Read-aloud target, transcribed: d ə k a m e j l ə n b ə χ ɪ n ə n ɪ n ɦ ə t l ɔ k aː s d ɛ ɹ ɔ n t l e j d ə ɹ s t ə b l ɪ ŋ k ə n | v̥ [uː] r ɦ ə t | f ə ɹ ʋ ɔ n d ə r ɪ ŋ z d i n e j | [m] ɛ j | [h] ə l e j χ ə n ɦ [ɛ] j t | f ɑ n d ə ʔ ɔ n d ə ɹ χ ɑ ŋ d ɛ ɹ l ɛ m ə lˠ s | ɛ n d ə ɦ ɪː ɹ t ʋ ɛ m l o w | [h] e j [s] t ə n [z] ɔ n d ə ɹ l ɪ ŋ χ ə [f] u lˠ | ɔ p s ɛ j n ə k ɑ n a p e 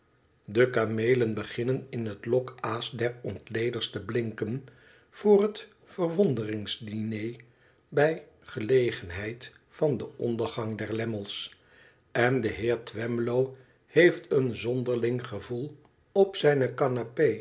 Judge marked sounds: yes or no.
no, no, no, yes, yes, no, yes, no

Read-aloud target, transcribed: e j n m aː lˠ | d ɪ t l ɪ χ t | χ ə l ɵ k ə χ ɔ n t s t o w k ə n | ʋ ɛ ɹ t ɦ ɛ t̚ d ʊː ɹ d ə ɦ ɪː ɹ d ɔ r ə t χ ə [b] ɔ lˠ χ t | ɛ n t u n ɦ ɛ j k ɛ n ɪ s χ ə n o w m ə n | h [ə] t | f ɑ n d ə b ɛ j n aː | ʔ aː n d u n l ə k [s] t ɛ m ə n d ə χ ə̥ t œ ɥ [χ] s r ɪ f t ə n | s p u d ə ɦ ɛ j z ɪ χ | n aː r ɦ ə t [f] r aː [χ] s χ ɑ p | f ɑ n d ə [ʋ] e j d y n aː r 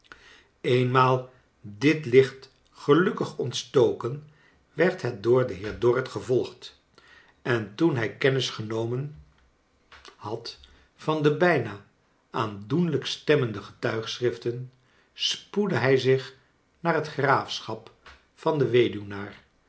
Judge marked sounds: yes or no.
no, no, yes, yes, no, no, yes

